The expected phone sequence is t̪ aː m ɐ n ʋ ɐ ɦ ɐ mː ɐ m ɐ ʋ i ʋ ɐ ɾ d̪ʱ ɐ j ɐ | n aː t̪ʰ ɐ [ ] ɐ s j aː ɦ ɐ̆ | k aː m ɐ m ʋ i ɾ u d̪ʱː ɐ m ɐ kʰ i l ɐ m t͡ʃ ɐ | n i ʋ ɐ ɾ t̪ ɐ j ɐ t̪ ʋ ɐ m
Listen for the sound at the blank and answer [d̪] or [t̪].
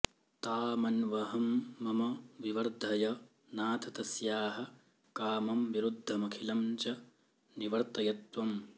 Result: t̪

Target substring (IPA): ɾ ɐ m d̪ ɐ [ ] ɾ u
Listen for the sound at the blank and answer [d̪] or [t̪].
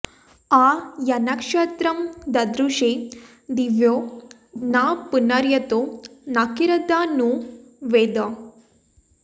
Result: d̪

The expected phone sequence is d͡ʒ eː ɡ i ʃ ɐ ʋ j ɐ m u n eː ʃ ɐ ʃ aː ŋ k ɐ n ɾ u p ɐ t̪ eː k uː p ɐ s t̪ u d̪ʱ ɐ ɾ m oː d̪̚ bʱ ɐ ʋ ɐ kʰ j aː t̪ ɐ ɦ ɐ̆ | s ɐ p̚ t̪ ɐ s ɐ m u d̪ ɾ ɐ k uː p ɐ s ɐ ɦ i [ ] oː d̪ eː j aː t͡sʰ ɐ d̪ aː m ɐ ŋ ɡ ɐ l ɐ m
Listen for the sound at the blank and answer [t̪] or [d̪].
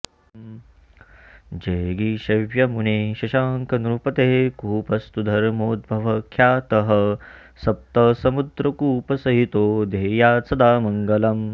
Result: t̪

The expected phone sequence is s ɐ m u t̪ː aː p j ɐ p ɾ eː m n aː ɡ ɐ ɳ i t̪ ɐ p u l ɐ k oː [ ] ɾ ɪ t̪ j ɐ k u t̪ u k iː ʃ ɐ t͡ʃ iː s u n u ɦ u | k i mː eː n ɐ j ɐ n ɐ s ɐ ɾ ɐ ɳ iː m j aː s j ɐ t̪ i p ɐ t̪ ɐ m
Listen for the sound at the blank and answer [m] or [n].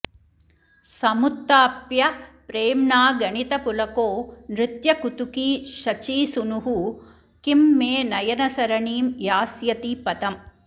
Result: n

